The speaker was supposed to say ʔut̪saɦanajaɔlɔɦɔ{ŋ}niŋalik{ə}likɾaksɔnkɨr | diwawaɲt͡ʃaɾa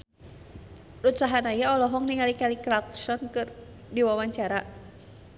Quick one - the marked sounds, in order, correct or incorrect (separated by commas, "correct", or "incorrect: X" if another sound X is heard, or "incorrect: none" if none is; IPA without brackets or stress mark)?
correct, incorrect: a